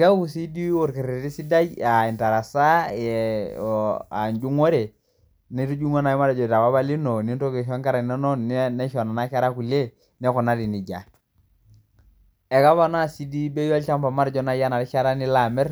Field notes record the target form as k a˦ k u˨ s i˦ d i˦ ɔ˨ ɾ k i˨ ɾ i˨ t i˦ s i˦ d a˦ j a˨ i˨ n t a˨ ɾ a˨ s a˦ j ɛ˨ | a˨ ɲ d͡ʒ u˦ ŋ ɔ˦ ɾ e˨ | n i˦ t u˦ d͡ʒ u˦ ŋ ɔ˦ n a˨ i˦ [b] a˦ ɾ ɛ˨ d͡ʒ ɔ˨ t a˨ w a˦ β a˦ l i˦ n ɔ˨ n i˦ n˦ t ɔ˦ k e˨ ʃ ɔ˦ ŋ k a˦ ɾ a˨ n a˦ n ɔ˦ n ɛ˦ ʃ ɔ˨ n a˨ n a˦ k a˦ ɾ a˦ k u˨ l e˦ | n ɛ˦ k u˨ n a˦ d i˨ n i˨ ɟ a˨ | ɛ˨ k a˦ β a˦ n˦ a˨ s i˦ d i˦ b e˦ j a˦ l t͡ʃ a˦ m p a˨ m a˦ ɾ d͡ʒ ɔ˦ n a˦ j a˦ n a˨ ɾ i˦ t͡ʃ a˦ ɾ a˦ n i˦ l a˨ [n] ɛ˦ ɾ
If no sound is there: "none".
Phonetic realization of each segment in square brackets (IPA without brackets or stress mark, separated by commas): m, m